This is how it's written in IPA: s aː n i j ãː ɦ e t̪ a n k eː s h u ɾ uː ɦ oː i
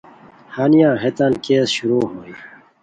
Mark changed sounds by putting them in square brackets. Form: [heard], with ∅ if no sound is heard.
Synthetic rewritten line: [h] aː n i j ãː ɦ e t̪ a n k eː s [ɕ] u ɾ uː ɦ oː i